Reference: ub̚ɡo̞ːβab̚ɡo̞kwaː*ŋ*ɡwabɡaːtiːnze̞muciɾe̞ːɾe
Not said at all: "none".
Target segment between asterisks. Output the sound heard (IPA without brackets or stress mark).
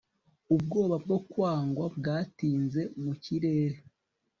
ŋ